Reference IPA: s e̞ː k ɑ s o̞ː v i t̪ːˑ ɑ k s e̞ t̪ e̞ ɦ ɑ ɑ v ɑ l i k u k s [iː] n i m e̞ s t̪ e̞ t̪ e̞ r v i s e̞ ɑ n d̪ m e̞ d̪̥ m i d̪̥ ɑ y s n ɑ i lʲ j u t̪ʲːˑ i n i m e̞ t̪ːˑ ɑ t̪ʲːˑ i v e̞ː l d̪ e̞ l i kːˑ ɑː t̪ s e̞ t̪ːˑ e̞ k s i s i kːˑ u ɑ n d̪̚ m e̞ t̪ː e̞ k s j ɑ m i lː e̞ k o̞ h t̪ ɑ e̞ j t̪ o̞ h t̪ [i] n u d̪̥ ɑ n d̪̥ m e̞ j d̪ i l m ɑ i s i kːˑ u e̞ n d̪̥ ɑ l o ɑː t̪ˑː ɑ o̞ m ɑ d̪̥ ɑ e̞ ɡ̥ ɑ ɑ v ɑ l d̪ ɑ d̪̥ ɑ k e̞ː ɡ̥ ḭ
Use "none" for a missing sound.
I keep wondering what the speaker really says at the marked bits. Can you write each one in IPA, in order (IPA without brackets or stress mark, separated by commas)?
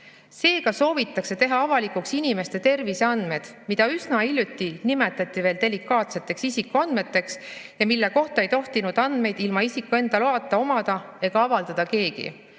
i, i